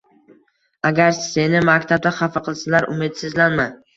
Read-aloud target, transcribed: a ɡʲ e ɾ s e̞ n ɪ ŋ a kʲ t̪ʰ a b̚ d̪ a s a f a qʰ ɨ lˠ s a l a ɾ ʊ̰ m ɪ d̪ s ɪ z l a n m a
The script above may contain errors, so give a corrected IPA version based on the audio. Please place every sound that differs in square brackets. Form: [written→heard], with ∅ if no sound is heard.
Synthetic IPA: a ɡʲ [e→a] ɾ s e̞ n ɪ [ŋ→m] a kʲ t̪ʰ a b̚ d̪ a [s→χ] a f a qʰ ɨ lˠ s a l a ɾ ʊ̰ m ɪ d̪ s ɪ z l a n m a